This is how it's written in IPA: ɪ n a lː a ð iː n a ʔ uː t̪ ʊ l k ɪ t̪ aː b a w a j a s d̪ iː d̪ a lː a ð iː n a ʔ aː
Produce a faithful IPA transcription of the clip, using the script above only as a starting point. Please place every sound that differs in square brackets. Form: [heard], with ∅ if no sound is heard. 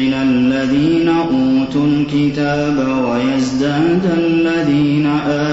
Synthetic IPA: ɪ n a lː a ð iː n a ʔ uː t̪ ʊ l k ɪ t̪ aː b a w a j a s d̪ [aː] d̪ a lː a ð iː n a ʔ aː